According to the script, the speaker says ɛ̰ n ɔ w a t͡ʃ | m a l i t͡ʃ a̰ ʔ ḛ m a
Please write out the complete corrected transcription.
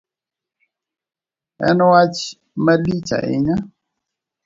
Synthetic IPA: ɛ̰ n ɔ w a t͡ʃ | m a l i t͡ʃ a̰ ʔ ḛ ɲ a